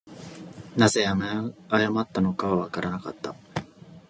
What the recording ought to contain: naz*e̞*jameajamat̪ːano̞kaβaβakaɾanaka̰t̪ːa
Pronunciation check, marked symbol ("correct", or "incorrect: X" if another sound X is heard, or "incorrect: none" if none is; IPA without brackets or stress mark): correct